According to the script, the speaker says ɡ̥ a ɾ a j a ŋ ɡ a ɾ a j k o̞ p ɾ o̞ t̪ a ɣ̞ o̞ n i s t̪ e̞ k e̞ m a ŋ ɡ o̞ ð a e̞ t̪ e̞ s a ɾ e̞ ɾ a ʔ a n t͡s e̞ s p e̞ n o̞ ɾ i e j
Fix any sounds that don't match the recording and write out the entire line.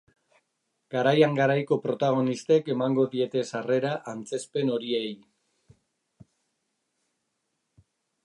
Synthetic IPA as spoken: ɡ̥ a ɾ a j a ŋ ɡ a ɾ a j k o̞ p ɾ o̞ t̪ a ɣ̞ o̞ n i s t̪ e̞ k e̞ m a ŋ ɡ o̞ ð i e̞ t̪ e̞ s a r e̞ ɾ a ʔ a n t͡s e̞ s p e̞ n o̞ ɾ i e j